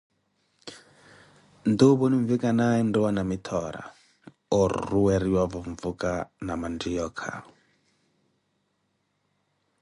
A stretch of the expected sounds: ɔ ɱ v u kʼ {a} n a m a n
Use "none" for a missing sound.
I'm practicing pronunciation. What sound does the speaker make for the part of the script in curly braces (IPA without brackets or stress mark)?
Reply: a